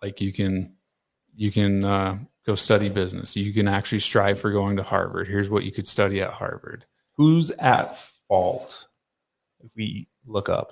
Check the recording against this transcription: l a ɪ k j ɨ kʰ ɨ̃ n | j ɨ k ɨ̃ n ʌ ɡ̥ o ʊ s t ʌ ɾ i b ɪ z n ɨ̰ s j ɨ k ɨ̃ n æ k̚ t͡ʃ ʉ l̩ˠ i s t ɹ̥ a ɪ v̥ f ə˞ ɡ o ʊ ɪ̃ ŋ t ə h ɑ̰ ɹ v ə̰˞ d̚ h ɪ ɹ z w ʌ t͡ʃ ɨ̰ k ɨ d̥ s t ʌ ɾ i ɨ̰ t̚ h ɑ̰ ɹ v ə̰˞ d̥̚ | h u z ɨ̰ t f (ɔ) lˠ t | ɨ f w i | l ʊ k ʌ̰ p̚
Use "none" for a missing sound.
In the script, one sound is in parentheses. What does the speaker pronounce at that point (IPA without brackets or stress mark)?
ɔ